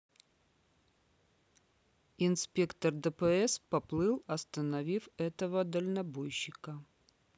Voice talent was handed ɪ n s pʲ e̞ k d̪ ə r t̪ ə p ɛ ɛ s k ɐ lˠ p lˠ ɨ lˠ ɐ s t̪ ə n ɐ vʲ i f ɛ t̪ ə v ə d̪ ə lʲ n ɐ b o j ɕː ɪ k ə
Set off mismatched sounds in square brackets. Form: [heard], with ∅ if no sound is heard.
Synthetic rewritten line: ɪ n s pʲ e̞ k [t̪] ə r [d̪] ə p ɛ ɛ s [p] ɐ [∅] p lˠ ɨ lˠ ɐ s t̪ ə n ɐ vʲ i f ɛ t̪ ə v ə d̪ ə lʲ n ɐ b o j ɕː ɪ k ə